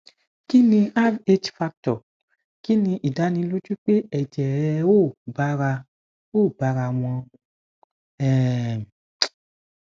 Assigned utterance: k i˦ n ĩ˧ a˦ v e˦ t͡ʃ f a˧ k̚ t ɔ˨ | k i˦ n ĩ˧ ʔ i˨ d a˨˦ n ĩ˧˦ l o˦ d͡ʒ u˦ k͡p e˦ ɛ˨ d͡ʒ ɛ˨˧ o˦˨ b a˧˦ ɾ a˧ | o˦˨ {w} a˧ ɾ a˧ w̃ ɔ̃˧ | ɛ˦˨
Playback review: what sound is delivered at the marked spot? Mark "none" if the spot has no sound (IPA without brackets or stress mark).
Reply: b